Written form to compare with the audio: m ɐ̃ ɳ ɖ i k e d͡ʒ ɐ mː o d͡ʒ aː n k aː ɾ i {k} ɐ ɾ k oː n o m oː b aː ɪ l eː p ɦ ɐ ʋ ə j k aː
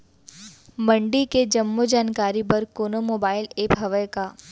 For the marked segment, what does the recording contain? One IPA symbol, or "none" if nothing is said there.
p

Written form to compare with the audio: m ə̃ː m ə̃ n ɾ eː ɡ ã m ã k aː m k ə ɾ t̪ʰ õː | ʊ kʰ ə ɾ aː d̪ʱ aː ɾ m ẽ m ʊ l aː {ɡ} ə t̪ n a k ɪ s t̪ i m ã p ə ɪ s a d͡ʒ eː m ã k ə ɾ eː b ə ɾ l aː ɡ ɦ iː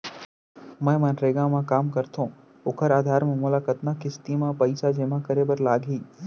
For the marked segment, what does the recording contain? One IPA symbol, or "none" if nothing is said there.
k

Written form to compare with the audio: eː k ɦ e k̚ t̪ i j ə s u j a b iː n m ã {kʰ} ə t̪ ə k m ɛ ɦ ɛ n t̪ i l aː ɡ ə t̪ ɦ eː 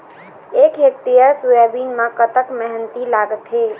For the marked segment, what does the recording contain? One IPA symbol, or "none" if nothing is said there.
k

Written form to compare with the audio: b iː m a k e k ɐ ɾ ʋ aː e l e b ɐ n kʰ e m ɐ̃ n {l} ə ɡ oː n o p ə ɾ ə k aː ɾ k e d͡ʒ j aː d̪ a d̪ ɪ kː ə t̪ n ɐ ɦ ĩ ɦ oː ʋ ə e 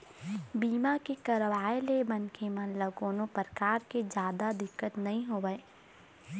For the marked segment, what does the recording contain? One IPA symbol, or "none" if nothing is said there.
l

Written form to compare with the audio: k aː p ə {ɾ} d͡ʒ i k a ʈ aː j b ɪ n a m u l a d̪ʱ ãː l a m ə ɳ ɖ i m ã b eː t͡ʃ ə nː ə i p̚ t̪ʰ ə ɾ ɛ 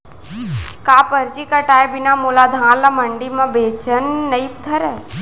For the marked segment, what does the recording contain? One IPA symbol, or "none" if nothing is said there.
ɾ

